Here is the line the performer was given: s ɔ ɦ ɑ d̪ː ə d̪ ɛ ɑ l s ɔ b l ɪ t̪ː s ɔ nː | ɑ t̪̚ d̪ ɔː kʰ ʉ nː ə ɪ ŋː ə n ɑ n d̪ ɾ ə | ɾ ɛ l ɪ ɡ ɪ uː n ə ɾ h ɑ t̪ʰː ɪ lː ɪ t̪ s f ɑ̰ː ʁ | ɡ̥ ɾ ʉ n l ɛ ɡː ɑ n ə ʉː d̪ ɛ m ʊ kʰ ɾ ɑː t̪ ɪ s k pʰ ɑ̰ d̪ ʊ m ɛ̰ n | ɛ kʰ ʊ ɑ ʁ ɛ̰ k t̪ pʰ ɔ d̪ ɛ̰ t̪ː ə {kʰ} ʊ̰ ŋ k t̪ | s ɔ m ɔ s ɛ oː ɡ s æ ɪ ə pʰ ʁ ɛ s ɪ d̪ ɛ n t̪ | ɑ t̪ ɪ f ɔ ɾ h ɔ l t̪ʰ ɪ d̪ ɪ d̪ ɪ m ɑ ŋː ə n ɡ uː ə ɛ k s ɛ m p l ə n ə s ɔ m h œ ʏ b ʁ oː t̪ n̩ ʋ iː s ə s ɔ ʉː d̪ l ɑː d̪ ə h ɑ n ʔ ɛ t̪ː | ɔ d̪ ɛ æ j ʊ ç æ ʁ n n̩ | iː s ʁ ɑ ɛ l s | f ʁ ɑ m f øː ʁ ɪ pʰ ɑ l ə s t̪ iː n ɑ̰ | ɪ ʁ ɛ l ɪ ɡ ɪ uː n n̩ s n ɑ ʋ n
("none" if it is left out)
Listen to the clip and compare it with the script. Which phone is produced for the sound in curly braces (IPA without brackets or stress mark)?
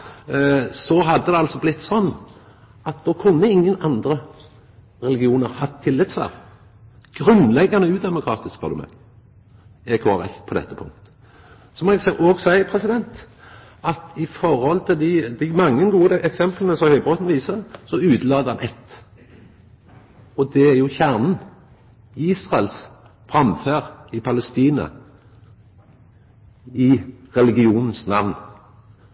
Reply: pʰ